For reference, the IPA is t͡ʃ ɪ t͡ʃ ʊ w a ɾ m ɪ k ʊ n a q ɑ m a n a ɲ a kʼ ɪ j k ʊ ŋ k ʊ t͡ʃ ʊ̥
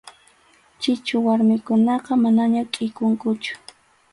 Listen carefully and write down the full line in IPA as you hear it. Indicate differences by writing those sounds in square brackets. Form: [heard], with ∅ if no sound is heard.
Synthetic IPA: t͡ʃ ɪ t͡ʃ ʊ w a ɾ m ɪ k ʊ n [ɑ] q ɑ m a n a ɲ a kʼ ɪ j k ʊ ŋ k ʊ t͡ʃ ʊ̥